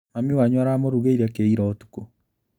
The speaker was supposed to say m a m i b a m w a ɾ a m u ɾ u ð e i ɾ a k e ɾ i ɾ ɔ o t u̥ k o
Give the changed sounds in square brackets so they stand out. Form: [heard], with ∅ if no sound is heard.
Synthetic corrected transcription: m a m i [w] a [ɲ] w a ɾ a m [o] ɾ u [ɣ] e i ɾ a k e [∅] i ɾ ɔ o t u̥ k o